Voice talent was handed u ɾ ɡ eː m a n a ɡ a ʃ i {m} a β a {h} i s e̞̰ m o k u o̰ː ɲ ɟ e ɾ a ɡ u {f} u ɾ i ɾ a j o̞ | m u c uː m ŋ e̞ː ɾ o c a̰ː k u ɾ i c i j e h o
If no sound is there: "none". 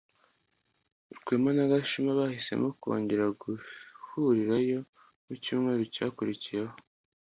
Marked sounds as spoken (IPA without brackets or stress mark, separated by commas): m, h, h